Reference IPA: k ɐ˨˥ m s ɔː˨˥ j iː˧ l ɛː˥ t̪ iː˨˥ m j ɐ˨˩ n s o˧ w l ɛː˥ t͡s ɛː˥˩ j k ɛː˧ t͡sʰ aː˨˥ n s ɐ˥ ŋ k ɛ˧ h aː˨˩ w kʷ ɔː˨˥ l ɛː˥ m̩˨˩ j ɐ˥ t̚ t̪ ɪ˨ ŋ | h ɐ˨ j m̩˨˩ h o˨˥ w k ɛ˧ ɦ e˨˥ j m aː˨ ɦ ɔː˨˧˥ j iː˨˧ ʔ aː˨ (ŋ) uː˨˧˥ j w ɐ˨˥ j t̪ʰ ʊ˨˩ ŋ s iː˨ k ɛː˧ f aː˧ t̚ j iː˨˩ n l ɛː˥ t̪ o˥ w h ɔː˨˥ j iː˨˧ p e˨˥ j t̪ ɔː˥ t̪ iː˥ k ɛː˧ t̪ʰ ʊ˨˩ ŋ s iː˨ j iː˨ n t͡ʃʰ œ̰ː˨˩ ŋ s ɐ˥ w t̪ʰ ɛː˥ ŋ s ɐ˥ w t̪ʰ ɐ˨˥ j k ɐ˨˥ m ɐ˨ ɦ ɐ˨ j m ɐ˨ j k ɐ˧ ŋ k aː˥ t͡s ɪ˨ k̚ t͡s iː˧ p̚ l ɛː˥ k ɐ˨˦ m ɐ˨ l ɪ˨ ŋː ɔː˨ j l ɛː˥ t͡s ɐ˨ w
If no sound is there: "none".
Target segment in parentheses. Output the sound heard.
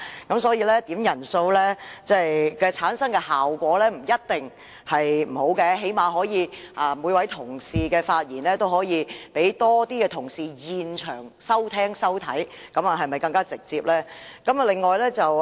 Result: m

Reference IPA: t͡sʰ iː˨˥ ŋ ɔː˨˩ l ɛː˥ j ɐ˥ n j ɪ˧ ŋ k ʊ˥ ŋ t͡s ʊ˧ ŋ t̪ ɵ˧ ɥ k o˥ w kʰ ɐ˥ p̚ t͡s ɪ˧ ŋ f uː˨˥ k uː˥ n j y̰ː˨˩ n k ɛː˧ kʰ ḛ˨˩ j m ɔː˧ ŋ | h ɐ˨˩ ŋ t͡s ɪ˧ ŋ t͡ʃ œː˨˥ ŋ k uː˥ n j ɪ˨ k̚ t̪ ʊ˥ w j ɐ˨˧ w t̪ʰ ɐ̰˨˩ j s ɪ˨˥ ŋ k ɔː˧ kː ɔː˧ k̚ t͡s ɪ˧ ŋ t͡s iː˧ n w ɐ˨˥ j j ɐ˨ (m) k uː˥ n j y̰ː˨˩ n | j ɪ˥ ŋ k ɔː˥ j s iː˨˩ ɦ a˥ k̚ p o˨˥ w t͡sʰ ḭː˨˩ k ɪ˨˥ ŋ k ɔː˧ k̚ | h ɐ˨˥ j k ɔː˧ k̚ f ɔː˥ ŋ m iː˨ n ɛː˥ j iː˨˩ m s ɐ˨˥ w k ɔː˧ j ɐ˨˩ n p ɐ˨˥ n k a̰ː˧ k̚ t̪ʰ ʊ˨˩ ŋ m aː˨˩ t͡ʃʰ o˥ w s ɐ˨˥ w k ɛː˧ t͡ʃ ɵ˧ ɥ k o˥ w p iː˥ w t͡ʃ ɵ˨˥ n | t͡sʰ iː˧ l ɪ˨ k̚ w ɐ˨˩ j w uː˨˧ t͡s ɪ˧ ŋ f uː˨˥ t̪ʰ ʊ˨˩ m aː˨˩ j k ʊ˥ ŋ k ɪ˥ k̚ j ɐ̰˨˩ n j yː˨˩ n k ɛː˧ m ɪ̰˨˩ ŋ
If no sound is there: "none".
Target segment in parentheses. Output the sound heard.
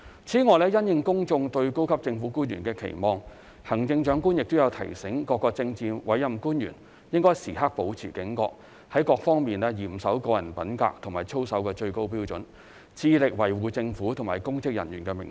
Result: m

